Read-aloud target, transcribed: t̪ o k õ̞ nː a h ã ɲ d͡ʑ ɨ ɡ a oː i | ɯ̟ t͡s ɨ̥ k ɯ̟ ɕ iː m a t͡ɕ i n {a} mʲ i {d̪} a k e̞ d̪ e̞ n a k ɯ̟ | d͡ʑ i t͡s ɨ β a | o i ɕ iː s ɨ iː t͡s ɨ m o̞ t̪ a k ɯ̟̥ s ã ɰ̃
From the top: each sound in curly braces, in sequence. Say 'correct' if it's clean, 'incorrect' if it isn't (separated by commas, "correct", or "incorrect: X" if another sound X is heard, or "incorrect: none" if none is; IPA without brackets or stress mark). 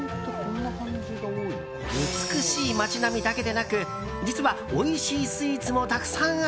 correct, correct